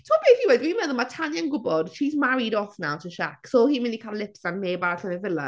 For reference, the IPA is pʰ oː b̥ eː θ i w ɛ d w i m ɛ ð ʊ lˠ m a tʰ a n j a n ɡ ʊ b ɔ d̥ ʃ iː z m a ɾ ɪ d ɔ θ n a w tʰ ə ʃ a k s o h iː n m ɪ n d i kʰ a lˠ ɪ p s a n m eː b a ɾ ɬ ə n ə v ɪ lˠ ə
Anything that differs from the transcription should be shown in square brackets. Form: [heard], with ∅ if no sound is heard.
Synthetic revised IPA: [tʰ] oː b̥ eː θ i w ɛ d w i m ɛ ð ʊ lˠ m a tʰ a n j a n ɡ ʊ b ɔ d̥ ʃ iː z m a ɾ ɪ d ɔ θ n a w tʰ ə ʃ a k s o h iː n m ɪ n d i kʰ a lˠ ɪ p s a n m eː b a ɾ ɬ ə n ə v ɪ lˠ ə